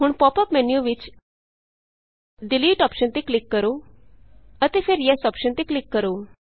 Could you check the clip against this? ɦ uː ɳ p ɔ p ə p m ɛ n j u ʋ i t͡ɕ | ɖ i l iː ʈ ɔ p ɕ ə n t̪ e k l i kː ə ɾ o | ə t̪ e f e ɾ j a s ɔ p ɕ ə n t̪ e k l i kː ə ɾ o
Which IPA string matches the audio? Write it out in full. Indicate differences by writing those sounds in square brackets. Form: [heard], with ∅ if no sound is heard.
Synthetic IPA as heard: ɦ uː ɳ p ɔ p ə p m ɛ n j u ʋ i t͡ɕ | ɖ i l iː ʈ ɔ p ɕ ə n t̪ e k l i kː ə ɾ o | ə t̪ e f e ɾ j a s ɔ p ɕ ə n t̪ e k l i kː ə ɾ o